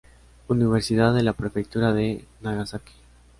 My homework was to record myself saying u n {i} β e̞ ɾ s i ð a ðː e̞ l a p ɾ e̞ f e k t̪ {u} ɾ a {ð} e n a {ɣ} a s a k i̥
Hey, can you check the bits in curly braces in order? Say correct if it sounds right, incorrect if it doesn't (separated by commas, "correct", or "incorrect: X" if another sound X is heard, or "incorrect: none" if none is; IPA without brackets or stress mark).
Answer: correct, correct, correct, correct